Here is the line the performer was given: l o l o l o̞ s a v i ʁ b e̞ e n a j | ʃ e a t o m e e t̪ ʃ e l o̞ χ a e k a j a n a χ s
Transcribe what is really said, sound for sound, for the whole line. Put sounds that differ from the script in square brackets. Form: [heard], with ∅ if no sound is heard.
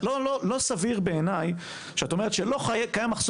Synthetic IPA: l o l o l o̞ s a v i ʁ b e̞ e n a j | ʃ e a t o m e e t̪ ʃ e l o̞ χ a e k a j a [m] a χ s